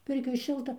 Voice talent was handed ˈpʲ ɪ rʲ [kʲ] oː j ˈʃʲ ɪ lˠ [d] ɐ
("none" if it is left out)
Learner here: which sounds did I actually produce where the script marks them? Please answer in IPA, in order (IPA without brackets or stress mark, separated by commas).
kʲ, t